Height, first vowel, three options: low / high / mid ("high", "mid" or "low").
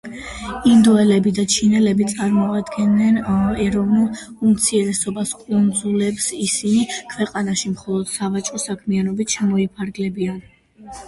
high